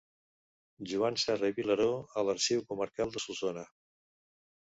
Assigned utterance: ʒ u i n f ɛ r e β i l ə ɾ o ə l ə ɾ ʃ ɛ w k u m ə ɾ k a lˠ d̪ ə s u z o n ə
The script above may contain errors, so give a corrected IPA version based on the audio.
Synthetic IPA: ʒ u a n s ɛ r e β i l ə ɾ o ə l ə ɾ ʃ i w k u m ə ɾ k a lˠ d̪ ə s u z o n ə